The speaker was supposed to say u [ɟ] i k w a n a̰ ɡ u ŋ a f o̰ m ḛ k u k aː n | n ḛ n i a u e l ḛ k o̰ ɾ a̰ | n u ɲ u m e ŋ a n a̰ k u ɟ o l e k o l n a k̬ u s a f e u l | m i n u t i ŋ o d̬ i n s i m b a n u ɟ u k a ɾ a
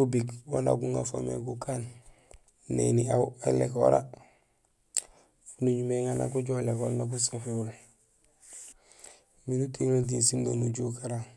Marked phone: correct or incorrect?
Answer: incorrect